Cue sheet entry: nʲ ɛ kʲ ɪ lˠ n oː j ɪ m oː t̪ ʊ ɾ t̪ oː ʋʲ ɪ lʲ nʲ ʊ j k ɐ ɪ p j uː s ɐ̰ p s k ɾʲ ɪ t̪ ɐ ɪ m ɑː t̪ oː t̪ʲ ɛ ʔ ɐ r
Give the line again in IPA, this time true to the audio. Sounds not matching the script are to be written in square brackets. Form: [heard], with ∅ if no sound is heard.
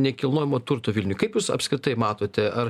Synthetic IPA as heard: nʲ ɛ kʲ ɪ lˠ n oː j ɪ m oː t̪ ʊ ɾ t̪ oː ʋʲ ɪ lʲ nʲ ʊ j k ɐ ɪ p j uː s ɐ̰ p s k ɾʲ ɪ t̪ ɐ ɪ m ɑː t̪ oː t̪ʲ ɛ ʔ ɐ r